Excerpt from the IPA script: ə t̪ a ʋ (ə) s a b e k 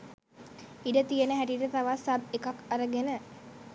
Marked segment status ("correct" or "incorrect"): incorrect